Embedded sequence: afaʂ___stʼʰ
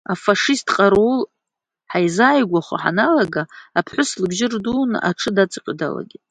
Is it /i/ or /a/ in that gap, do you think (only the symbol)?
i